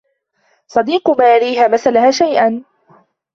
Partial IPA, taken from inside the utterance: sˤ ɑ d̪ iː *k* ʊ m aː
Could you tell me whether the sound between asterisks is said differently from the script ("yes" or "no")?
yes